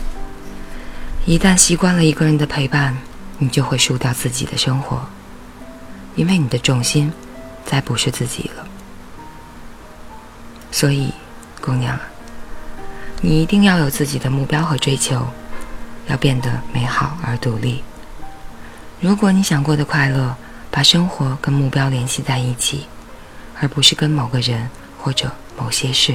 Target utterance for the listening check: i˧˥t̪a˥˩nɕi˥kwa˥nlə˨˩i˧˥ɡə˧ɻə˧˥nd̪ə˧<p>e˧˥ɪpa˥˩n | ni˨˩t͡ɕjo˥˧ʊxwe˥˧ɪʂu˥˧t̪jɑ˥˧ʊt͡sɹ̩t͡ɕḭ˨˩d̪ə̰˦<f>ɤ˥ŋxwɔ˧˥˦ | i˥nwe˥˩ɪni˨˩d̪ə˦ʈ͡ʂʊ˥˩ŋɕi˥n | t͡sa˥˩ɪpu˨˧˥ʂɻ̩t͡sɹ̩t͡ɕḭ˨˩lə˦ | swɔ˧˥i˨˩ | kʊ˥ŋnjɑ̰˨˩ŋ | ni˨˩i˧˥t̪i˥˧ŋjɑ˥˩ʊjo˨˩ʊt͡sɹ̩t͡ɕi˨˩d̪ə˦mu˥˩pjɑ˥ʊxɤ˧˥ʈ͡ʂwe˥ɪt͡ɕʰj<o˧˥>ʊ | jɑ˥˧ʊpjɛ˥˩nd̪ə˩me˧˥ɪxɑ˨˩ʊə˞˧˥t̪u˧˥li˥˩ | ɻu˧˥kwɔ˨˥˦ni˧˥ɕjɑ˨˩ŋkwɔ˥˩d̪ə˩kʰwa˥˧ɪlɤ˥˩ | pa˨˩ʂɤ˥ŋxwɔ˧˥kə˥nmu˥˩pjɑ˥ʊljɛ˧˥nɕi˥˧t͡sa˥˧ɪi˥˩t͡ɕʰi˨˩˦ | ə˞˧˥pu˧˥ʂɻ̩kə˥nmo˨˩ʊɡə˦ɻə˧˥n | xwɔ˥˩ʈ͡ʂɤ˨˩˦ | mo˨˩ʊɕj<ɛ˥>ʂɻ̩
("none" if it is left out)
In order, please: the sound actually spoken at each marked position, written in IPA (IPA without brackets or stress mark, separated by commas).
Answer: pʰ, ʂ, o˧˥, ɛ˥